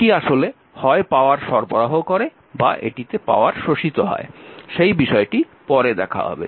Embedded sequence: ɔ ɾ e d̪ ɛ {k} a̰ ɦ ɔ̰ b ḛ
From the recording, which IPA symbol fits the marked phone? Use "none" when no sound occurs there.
kʰ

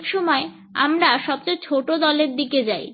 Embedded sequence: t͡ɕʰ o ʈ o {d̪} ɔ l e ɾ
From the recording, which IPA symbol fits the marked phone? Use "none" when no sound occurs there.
d̪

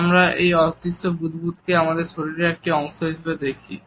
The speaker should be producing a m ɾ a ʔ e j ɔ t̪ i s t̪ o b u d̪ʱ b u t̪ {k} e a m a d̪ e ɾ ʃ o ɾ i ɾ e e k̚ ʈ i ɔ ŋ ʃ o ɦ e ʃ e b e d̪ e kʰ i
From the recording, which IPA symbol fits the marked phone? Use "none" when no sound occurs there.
k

